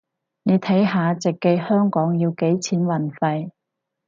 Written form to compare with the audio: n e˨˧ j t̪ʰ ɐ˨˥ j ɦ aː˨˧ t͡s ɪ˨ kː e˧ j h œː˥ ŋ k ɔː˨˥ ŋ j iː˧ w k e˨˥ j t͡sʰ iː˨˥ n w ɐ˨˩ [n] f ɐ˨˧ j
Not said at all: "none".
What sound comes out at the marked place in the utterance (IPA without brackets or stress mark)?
n